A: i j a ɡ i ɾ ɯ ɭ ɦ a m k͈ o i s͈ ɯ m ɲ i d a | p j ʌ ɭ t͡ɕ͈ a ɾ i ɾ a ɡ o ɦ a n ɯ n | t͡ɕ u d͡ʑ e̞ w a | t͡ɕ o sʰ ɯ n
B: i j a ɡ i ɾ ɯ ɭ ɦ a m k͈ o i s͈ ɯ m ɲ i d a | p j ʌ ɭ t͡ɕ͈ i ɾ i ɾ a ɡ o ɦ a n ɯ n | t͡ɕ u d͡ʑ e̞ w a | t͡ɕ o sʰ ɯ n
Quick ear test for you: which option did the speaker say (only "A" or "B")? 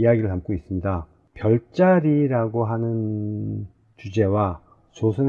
A